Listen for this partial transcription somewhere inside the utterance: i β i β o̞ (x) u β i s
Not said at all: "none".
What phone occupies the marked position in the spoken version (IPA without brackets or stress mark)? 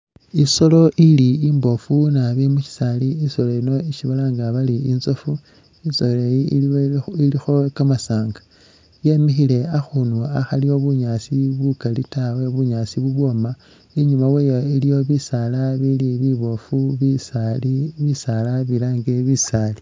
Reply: f